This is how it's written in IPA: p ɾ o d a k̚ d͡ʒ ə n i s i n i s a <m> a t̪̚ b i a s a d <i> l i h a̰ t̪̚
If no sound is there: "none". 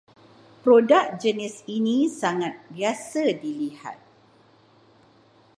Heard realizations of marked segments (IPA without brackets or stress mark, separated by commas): ŋ, i